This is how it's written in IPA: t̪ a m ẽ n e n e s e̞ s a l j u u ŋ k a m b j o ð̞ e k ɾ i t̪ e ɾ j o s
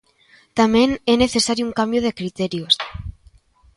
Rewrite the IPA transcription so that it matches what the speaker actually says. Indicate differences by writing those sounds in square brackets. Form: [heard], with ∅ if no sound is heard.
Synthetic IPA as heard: t̪ a m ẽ n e n e [θ] e̞ s a [ɾ] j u u ŋ k a m b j o ð̞ e k ɾ i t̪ e ɾ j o s